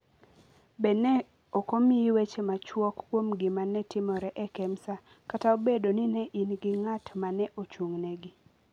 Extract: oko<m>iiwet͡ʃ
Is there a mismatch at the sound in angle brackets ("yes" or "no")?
no